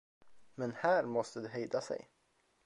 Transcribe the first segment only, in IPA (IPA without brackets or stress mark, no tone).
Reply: m